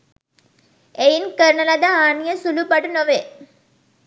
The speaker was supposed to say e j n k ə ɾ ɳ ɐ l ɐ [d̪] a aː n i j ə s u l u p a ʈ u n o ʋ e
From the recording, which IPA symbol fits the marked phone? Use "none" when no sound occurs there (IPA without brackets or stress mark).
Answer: d̪